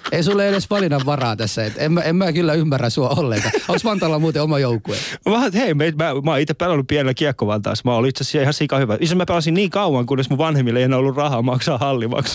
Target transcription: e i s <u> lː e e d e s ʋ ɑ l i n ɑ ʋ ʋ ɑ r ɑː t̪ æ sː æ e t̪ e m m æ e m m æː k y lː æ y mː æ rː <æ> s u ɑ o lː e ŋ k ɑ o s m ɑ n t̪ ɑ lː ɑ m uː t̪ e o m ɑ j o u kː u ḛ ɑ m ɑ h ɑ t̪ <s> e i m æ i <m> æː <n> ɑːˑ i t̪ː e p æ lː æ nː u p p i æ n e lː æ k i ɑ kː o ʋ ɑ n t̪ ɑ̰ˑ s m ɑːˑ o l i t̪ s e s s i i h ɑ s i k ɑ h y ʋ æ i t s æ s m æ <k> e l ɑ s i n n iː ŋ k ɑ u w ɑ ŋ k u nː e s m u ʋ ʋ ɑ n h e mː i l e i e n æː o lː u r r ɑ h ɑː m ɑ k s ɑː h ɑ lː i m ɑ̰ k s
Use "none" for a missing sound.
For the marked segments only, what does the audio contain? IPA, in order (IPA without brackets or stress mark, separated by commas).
u, æ, h, m, m, p